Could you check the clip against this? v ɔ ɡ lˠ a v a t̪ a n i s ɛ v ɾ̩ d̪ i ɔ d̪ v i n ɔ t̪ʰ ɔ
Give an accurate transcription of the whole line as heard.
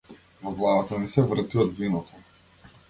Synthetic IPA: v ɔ ɡ lˠ a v a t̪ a n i s ɛ v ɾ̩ t̪ i ɔ d̪ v i n ɔ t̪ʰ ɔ